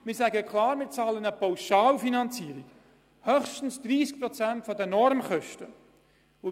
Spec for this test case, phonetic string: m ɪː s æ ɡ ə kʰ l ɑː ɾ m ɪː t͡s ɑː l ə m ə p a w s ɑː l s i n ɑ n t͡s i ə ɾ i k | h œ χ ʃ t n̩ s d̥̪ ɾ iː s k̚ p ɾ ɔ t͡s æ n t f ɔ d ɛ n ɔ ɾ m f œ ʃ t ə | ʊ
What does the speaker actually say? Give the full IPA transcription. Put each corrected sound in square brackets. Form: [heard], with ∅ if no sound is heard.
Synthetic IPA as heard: m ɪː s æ ɡ ə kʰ l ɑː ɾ m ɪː t͡s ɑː l ə [n] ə p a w [ʃ] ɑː l [f] i n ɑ n t͡s i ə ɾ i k | h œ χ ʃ t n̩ s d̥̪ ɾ iː s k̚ p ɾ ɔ t͡s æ n t f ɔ d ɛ n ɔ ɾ m [χ] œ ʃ t ə | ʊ